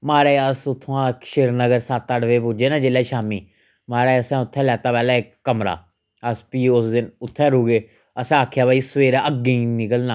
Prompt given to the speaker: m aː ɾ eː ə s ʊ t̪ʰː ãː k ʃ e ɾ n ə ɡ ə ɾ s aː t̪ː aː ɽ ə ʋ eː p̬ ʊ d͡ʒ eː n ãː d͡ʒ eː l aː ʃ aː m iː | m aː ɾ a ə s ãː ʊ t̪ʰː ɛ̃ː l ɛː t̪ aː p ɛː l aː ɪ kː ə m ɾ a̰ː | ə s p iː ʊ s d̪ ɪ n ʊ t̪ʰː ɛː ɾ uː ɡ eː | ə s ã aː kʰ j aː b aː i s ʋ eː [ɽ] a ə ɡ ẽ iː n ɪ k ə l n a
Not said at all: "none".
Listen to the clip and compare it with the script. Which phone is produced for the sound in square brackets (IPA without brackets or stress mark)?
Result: ɾ